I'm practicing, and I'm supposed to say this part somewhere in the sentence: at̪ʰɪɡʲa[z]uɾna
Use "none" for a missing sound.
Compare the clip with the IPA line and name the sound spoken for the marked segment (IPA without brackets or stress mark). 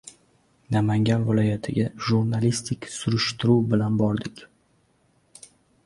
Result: ʒ